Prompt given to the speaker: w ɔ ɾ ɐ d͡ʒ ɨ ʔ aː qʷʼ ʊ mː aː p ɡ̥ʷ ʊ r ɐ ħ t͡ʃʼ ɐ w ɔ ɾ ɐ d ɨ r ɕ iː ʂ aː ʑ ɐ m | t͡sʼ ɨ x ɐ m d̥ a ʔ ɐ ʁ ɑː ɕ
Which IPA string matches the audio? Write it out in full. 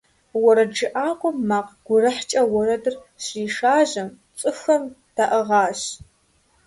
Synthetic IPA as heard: w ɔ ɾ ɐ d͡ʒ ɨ ʔ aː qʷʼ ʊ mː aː q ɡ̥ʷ ʊ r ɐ ħ t͡ʃʼ ɐ w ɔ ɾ ɐ d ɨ r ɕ iː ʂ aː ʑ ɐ m | t͡sʼ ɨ x ɐ m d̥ a ʔ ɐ ʁ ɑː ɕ